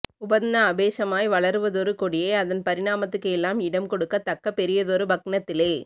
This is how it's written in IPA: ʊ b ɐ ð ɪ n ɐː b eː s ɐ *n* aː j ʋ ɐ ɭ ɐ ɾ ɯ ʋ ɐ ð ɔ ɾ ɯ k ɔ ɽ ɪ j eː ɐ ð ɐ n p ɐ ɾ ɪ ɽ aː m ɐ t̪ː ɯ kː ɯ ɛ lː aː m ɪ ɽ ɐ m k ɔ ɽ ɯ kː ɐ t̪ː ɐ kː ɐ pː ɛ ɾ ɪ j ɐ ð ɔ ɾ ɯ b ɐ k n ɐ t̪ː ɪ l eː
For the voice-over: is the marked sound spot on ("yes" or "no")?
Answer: no